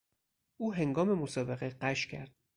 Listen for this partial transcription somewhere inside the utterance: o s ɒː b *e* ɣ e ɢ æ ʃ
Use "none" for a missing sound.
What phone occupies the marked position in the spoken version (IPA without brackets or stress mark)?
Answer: e